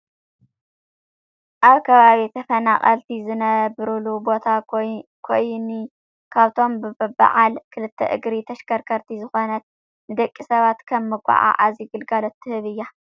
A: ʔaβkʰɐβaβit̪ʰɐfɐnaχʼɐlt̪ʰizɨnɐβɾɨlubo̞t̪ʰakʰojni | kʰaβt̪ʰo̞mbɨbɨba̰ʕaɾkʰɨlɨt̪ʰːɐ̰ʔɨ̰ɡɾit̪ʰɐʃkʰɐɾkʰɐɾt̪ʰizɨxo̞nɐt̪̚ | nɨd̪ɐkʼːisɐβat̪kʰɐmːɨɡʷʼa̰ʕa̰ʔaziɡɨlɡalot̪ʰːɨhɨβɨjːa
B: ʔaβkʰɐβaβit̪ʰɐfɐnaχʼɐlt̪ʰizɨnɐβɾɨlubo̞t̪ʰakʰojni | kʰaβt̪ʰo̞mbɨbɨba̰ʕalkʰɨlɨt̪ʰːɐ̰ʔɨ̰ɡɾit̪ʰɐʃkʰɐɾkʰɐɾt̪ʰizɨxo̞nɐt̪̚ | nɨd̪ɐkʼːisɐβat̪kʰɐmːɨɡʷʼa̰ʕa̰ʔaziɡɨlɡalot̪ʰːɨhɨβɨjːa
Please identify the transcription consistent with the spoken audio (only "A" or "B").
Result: B